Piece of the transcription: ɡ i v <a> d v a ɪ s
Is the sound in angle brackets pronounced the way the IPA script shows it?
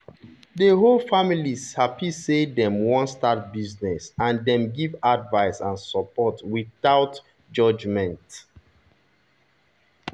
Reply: yes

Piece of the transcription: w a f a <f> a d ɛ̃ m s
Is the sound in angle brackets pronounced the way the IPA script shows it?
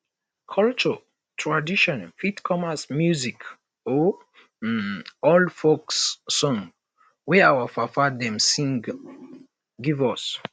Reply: yes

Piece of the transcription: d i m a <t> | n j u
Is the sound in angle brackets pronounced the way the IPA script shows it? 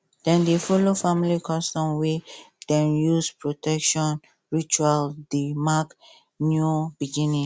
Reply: no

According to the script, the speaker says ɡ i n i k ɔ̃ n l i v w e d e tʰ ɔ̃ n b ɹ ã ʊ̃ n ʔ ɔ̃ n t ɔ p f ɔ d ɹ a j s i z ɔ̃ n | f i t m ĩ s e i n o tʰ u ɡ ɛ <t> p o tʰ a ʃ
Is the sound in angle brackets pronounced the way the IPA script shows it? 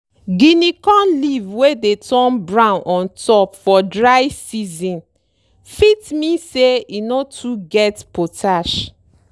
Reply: yes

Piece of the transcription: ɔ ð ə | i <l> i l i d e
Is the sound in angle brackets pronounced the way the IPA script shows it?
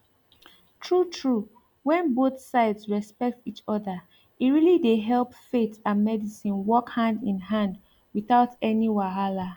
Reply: no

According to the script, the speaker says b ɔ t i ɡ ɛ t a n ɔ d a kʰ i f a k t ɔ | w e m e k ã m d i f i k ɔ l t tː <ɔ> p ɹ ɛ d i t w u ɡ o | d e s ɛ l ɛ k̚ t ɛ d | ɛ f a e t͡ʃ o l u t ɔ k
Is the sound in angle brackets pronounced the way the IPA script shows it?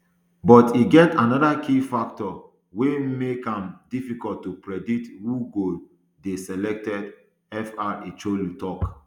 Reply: no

